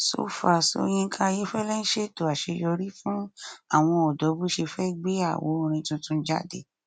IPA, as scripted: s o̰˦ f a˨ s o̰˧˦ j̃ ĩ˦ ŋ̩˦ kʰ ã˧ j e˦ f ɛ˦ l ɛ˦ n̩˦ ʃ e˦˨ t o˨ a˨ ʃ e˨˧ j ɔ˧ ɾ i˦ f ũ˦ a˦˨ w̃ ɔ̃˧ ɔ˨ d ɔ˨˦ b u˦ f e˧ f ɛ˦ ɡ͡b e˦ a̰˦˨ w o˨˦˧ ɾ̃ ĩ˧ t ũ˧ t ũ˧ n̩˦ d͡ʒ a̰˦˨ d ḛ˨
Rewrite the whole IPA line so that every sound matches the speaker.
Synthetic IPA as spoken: s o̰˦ f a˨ s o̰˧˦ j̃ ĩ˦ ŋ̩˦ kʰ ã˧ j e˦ f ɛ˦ l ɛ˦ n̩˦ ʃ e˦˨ t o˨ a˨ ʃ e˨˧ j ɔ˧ ɾ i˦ f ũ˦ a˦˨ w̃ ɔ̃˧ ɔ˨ d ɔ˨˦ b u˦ ʃ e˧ f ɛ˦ ɡ͡b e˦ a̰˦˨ w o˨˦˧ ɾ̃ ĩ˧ t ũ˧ t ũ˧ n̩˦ d͡ʒ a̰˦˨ d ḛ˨